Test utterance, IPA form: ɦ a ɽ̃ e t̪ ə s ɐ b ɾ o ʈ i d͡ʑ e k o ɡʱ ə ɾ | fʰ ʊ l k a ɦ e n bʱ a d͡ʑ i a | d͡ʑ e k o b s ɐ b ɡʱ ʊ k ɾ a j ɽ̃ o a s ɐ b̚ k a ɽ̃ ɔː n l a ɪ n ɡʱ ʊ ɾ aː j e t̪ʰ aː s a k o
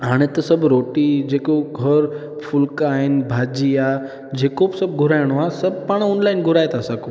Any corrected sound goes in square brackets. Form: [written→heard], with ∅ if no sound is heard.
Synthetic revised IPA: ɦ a ɽ̃ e t̪ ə s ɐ b ɾ o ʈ i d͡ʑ e k o ɡʱ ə ɾ | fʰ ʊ l k a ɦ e n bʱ a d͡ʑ i a | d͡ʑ e k o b s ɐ b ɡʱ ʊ [k→∅] ɾ a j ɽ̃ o a s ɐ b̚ [k→p] a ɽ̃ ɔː n l a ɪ n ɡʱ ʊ ɾ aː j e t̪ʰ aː s a k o